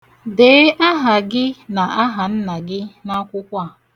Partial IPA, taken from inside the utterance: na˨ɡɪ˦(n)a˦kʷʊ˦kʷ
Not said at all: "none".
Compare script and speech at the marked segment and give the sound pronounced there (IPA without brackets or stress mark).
n